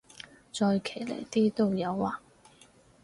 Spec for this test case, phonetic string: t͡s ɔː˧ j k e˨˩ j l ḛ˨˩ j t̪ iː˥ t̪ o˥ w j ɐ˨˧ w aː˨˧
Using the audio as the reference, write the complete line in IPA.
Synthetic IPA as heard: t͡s ɔː˧ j kʰ e˨˩ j l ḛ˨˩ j t̪ iː˥ t̪ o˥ w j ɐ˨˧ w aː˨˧